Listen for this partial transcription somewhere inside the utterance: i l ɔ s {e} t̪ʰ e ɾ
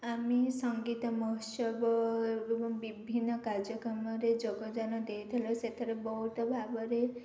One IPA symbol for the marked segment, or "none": e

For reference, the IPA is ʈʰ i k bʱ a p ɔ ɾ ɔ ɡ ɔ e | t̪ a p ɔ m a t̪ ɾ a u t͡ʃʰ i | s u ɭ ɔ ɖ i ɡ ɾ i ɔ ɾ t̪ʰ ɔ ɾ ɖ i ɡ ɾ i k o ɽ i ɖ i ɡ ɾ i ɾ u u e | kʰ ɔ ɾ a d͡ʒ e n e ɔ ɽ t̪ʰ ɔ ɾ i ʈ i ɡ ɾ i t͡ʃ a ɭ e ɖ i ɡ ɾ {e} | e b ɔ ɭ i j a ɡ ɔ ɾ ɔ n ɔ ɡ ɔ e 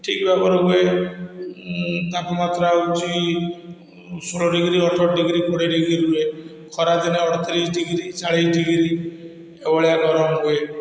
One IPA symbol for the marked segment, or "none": i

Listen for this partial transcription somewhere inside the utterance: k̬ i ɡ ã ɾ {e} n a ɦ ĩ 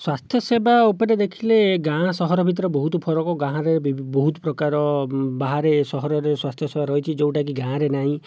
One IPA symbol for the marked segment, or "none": e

